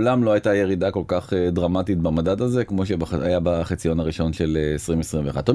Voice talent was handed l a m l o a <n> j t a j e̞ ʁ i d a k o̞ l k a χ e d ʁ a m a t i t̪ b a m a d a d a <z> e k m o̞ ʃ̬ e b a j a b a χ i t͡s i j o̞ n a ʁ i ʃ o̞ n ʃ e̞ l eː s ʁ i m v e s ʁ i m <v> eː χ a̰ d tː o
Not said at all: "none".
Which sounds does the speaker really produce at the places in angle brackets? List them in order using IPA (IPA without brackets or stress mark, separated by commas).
none, z, v